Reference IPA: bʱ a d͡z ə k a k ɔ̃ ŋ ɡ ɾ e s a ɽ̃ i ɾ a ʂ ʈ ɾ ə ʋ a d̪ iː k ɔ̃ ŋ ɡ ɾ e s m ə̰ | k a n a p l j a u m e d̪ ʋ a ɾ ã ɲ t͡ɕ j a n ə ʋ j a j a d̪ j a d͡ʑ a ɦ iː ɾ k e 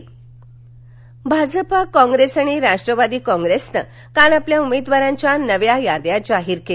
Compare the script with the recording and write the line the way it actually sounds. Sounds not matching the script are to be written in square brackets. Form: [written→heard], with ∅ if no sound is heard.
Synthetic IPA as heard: bʱ a d͡z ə [k→p] a k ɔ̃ ŋ ɡ ɾ e s a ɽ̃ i ɾ a ʂ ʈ ɾ ə ʋ a d̪ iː k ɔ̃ ŋ ɡ ɾ e s [m→n] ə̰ | k a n a p l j a u m e d̪ ʋ a ɾ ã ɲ t͡ɕ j a n ə ʋ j a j a d̪ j a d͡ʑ a ɦ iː ɾ k e